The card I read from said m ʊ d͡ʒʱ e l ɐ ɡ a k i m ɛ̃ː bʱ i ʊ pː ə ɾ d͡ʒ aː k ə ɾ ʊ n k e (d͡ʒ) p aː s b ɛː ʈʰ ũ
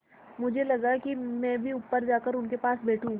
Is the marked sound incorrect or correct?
incorrect